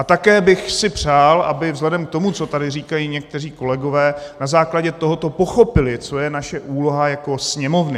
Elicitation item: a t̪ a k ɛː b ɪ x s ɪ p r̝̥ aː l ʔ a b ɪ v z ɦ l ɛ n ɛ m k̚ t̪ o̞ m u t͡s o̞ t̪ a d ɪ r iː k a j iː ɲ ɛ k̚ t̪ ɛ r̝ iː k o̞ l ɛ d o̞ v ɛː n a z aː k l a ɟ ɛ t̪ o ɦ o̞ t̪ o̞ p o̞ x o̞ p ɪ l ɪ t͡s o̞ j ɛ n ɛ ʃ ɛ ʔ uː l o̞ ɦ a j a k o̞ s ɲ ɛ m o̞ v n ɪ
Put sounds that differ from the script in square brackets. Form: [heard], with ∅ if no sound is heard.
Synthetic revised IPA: a t̪ a k ɛː b ɪ x s ɪ p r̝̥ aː l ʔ a b ɪ v z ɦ l ɛ [d] ɛ m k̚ t̪ o̞ m u t͡s o̞ t̪ a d ɪ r iː k a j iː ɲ ɛ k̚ t̪ ɛ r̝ iː k o̞ l ɛ [ɡ] o̞ v ɛː n a z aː k l a ɟ ɛ t̪ o ɦ o̞ t̪ o̞ p o̞ x o̞ p ɪ l ɪ t͡s o̞ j ɛ n [a] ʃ ɛ ʔ uː l o̞ ɦ a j a k o̞ s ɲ ɛ m o̞ v n ɪ